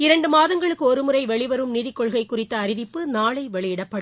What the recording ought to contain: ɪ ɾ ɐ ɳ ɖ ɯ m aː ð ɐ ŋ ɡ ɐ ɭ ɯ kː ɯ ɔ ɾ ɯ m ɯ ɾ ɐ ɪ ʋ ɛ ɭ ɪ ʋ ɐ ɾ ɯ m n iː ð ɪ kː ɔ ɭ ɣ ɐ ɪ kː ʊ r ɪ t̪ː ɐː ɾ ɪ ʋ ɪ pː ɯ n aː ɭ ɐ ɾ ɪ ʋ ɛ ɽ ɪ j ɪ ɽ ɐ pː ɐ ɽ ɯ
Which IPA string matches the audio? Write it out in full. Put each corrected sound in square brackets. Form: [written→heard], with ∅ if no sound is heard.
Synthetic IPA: ɪ ɾ ɐ ɳ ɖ ɯ m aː ð ɐ ŋ ɡ ɐ ɭ ɯ kː ɯ ɔ ɾ ɯ m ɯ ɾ ɐ ɪ ʋ ɛ ɭ ɪ ʋ ɐ ɾ ɯ m n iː ð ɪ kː ɔ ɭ ɣ ɐ ɪ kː ʊ r ɪ t̪ː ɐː ɾ ɪ ʋ ɪ pː ɯ n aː ɭ ɐ [ɾ→∅] ɪ ʋ ɛ [ɽ→ɭ] ɪ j ɪ ɽ ɐ pː ɐ ɽ ɯ